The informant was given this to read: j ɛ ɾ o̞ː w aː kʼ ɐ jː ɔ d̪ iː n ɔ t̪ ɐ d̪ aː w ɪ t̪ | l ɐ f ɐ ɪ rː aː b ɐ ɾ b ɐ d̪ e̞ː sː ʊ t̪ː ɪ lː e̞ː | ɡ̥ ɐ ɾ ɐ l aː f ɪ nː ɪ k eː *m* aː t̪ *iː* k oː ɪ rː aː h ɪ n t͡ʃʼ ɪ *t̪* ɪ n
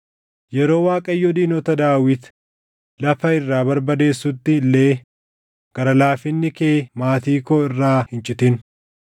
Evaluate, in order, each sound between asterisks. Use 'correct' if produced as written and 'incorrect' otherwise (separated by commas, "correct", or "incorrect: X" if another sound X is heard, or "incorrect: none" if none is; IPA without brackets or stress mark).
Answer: correct, correct, correct